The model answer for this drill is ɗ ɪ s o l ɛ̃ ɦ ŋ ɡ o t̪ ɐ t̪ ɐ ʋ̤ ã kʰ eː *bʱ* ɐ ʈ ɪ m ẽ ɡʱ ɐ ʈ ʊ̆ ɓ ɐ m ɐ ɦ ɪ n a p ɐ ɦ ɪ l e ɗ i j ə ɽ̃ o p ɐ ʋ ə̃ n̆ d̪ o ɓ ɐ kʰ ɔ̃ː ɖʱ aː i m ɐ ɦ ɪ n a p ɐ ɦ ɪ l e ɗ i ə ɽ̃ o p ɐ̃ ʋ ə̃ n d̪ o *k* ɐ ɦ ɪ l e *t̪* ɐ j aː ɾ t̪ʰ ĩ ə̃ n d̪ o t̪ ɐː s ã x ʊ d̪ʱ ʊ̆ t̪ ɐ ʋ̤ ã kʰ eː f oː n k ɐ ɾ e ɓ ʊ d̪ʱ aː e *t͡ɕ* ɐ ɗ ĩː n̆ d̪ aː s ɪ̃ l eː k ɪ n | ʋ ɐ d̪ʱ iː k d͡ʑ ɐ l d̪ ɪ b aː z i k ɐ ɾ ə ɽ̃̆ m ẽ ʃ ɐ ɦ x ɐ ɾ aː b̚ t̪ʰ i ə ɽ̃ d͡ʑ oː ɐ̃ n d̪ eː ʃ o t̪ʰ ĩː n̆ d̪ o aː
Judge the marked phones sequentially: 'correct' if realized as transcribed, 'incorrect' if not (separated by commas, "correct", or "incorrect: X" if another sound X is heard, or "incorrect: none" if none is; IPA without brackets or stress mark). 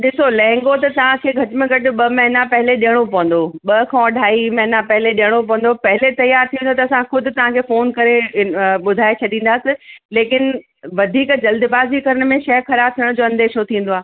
incorrect: ɡʱ, incorrect: p, correct, incorrect: t͡ɕʰ